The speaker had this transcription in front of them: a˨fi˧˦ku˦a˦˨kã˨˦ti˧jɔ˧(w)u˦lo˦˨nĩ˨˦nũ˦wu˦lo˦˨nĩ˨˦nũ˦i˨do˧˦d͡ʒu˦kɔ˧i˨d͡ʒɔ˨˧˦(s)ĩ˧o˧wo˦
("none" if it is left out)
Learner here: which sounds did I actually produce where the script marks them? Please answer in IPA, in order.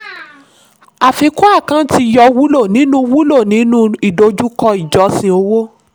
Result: w, s

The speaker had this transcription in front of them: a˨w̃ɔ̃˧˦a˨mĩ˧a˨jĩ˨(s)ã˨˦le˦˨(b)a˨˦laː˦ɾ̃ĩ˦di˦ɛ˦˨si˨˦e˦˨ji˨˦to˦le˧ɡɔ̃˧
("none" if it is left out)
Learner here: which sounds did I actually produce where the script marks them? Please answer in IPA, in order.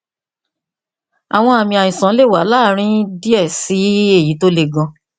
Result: s, w

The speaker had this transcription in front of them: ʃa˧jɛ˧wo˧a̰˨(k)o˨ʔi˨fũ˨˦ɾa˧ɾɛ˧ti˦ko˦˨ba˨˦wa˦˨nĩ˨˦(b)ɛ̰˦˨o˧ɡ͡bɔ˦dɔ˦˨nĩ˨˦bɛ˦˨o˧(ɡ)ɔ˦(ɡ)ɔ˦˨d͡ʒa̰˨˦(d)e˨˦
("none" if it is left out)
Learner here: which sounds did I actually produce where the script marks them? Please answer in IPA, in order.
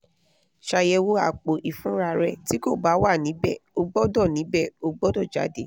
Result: k͡p, b, ɡ͡b, d, d

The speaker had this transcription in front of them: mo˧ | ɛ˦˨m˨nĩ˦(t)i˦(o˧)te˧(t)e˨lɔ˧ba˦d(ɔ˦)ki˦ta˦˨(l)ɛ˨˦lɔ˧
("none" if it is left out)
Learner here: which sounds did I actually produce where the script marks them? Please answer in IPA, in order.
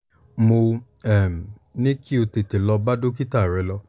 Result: k, o˧, t, o˦, ɾ

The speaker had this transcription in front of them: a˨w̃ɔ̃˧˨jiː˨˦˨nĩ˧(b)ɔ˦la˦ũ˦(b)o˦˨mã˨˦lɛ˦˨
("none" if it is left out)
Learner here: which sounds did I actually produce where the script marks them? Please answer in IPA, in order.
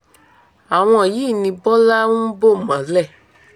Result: b, b

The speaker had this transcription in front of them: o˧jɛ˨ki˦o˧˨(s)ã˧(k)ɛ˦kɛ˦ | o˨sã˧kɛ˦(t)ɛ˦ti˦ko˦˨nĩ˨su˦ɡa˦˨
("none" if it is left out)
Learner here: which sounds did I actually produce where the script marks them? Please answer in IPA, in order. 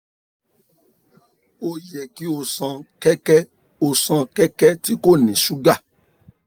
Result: s, k, k

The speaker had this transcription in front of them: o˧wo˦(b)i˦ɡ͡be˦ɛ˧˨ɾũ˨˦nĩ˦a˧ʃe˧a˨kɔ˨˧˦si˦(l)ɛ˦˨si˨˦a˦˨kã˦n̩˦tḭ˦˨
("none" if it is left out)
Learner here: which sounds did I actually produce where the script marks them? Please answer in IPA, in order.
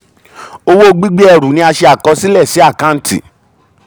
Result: ɡ͡b, l

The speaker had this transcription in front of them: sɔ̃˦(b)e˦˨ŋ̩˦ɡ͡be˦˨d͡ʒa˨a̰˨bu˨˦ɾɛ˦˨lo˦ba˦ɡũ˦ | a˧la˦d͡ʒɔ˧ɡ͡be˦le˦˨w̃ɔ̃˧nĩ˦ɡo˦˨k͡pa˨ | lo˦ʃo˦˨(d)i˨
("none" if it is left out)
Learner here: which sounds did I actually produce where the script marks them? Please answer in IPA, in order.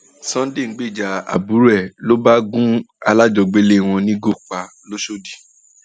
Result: d, d

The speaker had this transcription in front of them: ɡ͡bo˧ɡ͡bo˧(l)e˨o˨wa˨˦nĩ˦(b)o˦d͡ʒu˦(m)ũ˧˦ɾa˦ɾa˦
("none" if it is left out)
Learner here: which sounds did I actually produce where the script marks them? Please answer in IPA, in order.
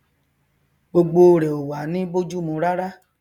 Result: ɾ, b, m

